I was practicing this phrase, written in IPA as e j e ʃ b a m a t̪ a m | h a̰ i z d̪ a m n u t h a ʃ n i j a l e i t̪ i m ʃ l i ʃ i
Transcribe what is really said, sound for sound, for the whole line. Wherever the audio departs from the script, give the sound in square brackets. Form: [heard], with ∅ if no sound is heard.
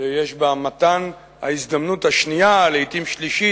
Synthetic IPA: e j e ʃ b a m a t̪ a [n] | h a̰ i z d̪ a m n u t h a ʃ n i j a l e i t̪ i m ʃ l i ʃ i